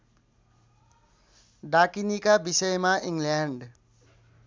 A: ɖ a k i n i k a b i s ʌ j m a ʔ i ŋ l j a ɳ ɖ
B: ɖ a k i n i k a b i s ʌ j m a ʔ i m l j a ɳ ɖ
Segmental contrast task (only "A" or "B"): A